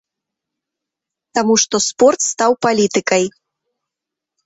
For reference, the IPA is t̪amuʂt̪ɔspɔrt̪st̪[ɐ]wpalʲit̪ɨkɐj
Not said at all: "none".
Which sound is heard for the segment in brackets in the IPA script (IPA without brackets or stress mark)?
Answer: a